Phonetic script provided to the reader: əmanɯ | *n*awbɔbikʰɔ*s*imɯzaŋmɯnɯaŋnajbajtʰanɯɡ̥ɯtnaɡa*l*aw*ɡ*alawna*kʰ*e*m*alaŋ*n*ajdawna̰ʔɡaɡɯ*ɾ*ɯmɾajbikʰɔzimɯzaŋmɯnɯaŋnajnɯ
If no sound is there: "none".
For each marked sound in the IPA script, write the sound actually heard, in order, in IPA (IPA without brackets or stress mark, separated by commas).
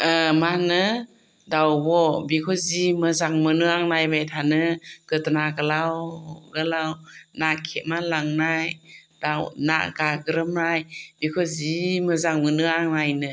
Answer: d, z, l, ɡ, kʰ, m, n, ɾ